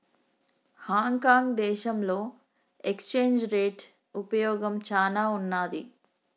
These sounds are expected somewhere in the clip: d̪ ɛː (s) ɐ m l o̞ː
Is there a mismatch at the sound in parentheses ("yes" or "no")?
yes